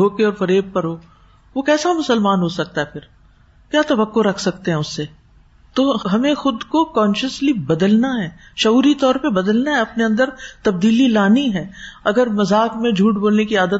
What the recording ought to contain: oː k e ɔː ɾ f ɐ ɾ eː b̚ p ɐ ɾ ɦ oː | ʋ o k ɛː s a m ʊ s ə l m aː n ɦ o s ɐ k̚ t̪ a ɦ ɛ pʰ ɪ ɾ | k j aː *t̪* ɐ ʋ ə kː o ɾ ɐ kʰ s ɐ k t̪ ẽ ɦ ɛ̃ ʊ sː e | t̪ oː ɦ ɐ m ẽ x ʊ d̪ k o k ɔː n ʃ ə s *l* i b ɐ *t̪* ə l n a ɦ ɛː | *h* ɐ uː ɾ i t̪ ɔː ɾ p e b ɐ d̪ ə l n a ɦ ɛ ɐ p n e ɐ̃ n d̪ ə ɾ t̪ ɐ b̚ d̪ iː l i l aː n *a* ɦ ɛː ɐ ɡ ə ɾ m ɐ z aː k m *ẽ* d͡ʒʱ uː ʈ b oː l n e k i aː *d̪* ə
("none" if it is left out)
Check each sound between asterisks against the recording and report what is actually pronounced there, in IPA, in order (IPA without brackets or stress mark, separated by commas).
t̪, l, d̪, ʃ, i, ẽ, d̪